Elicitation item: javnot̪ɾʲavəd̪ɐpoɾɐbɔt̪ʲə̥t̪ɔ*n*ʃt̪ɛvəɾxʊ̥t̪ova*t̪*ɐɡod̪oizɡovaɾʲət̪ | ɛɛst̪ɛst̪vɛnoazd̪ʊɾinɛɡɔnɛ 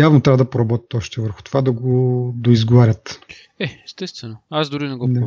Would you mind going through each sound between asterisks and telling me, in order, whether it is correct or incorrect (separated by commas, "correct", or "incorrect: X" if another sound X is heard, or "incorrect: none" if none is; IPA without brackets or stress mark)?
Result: incorrect: none, incorrect: d̪